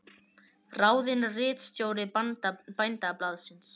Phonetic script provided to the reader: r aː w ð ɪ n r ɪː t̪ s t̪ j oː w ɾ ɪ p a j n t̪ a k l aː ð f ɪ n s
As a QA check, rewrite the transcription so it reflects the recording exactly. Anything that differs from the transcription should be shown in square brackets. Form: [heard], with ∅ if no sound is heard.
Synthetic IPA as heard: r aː w ð ɪ n r ɪː t̪ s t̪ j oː w ɾ ɪ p a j n t̪ a [p] l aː ð [s] ɪ n s